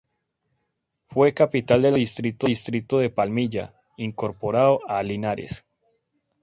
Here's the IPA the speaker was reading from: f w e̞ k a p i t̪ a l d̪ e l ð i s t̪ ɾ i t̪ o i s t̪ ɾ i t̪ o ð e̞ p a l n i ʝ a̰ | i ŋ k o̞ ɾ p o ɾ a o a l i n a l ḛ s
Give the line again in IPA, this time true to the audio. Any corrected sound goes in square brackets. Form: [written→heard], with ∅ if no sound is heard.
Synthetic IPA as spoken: f w e̞ k a p i t̪ a l d̪ e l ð i s t̪ ɾ i t̪ o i s t̪ ɾ i t̪ o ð e̞ p a l [n→m] i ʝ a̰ | i ŋ k o̞ ɾ p o ɾ a o a l i n a [l→ɾ] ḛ s

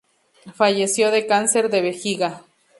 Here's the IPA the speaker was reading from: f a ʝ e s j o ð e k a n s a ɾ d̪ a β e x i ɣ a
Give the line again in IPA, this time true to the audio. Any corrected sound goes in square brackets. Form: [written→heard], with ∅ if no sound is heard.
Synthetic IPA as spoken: f a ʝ e s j o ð e k a n s [a→e] ɾ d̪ [a→e] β e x i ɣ a

